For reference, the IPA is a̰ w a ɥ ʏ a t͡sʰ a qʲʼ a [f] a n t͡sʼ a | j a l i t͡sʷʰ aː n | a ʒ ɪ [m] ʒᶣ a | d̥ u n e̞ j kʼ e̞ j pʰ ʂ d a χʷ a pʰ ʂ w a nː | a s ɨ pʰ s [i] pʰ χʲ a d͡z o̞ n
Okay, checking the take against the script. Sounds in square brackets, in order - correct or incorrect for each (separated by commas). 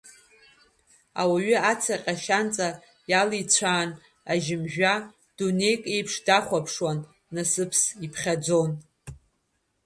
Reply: incorrect, correct, correct